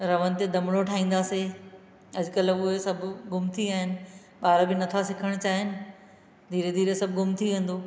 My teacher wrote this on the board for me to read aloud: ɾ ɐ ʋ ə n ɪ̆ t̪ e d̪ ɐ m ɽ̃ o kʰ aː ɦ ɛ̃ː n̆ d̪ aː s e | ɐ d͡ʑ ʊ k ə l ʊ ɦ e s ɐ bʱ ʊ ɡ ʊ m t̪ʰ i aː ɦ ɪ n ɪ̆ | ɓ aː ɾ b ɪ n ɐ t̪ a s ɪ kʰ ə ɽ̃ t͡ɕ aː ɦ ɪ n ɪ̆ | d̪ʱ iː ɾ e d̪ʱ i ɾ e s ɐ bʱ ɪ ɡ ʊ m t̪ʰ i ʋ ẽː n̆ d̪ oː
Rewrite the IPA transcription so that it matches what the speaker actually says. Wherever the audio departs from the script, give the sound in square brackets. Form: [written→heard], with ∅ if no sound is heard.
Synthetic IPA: ɾ ɐ ʋ ə n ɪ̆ t̪ e d̪ ɐ m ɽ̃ o [kʰ→ʈʰ] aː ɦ [ɛ̃ː→ĩː] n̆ d̪ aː s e | ɐ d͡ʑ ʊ k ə l ʊ ɦ e s ɐ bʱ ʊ ɡ ʊ m t̪ʰ i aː ɦ ɪ n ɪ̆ | ɓ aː ɾ b ɪ n ɐ [t̪→t̪ʰ] a s ɪ kʰ ə ɽ̃ t͡ɕ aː ɦ ɪ n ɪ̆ | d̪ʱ iː ɾ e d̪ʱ [i→iː] ɾ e s ɐ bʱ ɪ ɡ ʊ m t̪ʰ i ʋ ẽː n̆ d̪ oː